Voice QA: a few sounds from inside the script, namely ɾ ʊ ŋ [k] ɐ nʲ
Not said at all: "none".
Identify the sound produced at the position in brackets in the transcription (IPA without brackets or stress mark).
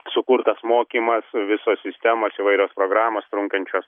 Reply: k